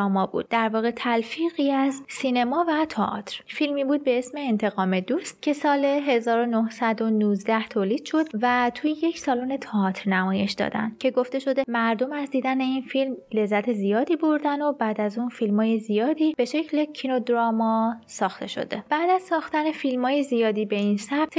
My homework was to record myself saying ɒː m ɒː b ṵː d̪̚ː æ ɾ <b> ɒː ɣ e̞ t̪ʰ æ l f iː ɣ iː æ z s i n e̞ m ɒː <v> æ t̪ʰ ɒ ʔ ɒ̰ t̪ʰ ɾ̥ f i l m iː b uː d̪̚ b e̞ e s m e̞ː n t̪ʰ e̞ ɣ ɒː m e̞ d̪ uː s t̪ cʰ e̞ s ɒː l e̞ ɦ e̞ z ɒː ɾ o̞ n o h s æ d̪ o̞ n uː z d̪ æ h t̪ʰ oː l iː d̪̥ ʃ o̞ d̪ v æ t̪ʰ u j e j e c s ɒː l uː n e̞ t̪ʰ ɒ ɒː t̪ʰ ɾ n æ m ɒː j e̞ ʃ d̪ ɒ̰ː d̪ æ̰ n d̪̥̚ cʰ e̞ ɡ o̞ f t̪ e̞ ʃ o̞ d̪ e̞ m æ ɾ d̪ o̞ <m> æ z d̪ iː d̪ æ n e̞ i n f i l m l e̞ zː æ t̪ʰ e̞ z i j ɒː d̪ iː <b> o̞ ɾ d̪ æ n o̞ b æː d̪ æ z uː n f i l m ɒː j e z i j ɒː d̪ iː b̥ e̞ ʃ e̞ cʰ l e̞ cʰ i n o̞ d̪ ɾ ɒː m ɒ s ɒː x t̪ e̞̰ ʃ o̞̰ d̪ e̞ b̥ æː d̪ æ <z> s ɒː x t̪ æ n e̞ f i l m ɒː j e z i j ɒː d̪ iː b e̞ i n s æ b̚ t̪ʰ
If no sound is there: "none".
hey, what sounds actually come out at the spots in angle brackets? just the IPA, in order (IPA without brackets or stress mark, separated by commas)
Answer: v, v, m, b, z